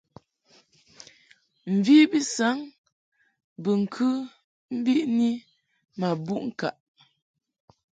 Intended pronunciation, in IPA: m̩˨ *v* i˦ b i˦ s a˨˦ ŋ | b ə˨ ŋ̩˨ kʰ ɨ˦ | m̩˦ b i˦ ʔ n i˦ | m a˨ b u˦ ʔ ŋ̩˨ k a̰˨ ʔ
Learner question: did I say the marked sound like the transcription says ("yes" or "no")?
yes